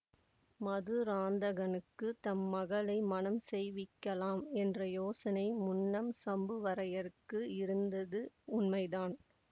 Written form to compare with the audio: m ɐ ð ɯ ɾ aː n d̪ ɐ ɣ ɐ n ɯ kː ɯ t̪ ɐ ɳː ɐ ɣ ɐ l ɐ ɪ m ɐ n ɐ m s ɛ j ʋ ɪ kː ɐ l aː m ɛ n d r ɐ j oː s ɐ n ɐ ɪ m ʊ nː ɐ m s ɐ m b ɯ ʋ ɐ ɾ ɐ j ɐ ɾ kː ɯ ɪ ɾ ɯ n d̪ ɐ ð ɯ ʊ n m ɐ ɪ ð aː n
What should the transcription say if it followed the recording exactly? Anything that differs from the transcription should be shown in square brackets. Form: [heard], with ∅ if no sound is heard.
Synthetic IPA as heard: m ɐ ð ɯ ɾ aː n d̪ ɐ ɣ ɐ n ɯ kː ɯ t̪ ɐ [mː] ɐ ɣ ɐ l ɐ ɪ m ɐ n ɐ m s ɛ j ʋ ɪ kː ɐ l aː m ɛ n d r ɐ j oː s ɐ n ɐ ɪ m ʊ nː ɐ m s ɐ m b ɯ ʋ ɐ ɾ ɐ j ɐ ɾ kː ɯ ɪ ɾ ɯ n d̪ ɐ ð ɯ ʊ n m ɐ ɪ ð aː n

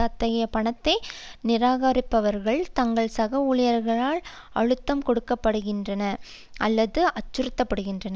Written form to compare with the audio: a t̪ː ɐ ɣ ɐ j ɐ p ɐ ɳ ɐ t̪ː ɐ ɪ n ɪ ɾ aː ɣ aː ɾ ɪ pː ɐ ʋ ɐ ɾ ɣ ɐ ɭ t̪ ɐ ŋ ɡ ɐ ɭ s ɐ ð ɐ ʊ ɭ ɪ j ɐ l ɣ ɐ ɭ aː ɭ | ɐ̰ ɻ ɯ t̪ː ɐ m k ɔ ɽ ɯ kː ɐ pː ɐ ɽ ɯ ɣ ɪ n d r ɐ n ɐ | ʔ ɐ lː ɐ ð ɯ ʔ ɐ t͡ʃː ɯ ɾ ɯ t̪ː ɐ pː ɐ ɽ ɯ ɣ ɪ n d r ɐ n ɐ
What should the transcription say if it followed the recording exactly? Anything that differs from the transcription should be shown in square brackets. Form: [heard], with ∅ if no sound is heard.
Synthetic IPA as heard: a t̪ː ɐ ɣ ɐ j ɐ p ɐ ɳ ɐ t̪ː ɐ ɪ n ɪ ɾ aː ɣ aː ɾ ɪ pː ɐ ʋ ɐ ɾ ɣ ɐ ɭ t̪ ɐ ŋ ɡ ɐ ɭ s ɐ [ɣ] ɐ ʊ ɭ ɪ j ɐ [ɾ] ɣ ɐ ɭ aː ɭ | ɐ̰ ɻ ɯ t̪ː ɐ m k ɔ ɽ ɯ kː ɐ pː ɐ ɽ ɯ ɣ ɪ n d r ɐ n ɐ | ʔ ɐ lː ɐ ð ɯ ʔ ɐ t͡ʃː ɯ ɾ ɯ t̪ː ɐ pː ɐ ɽ ɯ ɣ ɪ n d r ɐ n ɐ

